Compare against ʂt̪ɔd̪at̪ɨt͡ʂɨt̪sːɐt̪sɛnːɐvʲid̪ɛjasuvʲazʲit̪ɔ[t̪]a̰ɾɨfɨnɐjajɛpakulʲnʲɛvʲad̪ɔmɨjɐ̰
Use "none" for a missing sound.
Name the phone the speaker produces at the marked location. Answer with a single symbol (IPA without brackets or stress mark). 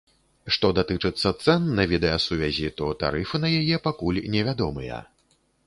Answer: t̪